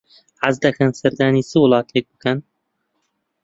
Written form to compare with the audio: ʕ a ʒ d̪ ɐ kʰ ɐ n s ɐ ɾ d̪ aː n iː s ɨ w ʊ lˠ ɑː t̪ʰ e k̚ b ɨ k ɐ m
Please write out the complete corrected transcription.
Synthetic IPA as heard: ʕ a z d̪ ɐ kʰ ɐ n s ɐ ɾ d̪ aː n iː s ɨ w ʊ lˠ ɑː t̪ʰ e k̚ b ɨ k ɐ n

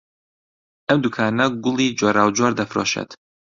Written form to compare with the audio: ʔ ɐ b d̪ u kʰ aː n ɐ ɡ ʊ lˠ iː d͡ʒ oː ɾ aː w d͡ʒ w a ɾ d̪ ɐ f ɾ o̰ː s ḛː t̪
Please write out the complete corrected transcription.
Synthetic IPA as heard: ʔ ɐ m d̪ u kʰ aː n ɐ ɡ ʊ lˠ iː d͡ʒ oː ɾ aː w d͡ʒ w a ɾ d̪ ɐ f ɾ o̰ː ʃ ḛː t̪

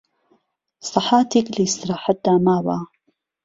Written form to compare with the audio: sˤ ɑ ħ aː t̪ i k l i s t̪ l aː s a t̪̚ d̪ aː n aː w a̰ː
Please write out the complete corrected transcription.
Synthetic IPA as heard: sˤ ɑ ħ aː t̪ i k l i s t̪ ɾ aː ħ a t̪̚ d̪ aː m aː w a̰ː

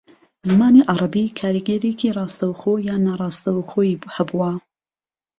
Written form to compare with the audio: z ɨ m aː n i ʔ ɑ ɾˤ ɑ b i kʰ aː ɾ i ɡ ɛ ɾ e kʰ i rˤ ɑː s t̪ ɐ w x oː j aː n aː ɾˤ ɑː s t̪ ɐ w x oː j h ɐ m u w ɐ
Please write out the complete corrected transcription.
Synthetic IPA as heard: z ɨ m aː n i ʔ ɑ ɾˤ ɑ b i kʰ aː ɾ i ɡ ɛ ɾ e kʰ i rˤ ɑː s t̪ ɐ w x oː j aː n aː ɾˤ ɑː s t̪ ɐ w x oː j h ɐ b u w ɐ

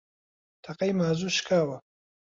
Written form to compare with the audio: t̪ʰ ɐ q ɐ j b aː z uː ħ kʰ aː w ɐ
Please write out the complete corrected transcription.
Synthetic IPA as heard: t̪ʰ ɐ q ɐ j m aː z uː ʃ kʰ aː w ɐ

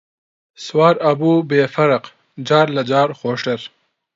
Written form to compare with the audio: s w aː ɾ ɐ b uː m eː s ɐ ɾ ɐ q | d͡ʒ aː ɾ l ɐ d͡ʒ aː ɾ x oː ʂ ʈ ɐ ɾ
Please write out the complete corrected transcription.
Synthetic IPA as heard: s w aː ɾ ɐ b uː b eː f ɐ ɾ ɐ q | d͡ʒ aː ɾ l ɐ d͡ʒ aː ɾ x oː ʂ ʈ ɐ ɾ

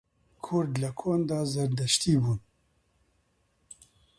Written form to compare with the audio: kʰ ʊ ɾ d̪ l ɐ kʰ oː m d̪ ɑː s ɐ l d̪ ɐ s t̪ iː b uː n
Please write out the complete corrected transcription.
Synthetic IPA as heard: kʰ ʊ ɾ d̪ l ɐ kʰ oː n d̪ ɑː z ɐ ɾ d̪ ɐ ʃ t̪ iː b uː n

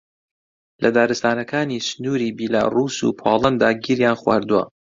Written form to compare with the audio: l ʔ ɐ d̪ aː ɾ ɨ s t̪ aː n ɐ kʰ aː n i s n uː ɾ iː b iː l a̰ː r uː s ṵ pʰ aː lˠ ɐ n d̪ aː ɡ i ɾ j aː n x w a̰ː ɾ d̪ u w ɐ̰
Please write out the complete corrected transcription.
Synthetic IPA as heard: l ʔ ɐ d̪ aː ɾ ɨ s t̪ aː n ɐ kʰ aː n i s n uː ɾ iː b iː l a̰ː r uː s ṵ pʰ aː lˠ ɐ n d̪ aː ɡ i ɾ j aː n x w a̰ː ɾ d̪ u w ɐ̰

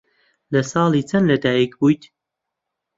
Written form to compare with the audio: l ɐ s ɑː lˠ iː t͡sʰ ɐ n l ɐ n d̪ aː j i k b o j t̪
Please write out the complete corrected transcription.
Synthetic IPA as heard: l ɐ s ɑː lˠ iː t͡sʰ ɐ n l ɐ d̪ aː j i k b u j t̪

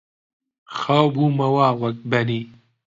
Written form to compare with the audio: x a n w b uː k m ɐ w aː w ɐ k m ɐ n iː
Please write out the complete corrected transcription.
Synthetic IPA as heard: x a w b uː m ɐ w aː w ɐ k b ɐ n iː

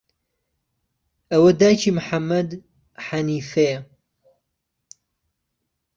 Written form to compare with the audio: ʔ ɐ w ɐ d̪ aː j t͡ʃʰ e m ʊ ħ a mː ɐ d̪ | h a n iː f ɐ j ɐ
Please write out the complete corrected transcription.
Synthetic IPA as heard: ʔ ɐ w ɐ d̪ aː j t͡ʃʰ i m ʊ ħ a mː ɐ d̪ | ħ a n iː f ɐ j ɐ

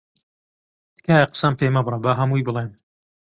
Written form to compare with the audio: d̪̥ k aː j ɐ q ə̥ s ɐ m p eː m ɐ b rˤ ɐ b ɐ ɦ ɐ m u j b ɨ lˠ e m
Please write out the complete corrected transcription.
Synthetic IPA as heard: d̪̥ k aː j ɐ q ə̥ s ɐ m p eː m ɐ b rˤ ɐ b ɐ ɦ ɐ m u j b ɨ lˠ e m

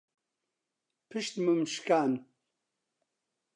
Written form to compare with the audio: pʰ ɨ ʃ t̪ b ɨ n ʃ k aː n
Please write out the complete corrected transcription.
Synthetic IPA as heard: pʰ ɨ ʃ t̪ m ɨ m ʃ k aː n

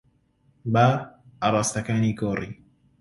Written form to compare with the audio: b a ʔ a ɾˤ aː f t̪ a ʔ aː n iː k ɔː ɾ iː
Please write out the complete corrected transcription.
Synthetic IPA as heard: b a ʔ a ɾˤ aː s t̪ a k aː n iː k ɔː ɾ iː

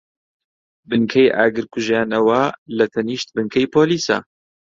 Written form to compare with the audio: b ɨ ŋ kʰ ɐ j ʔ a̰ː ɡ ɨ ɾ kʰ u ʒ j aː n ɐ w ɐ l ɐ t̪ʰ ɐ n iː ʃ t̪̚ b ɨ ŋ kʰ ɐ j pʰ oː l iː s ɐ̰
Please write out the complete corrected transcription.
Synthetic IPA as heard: b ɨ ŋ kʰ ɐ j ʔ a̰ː ɡ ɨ ɾ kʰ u ʒ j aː n ɐ w ɐ l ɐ t̪ʰ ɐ n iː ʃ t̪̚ b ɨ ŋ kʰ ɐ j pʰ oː l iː s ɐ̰

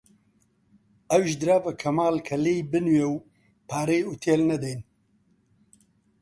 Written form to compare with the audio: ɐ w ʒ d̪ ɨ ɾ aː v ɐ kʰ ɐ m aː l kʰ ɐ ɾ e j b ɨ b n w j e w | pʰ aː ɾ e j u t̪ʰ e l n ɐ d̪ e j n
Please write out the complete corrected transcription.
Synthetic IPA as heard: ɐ w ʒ d̪ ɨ ɾ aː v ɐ kʰ ɐ m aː l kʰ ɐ l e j b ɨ n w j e w | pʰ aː ɾ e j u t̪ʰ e l n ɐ d̪ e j n

